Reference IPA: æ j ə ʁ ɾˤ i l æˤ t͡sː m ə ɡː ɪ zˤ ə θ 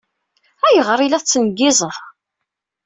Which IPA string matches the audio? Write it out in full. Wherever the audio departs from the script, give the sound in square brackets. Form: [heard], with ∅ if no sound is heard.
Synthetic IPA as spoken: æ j ə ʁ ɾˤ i l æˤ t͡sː [n] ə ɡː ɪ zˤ ə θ